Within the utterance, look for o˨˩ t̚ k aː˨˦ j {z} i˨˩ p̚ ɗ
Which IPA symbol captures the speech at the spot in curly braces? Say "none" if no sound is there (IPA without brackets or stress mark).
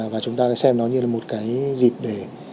z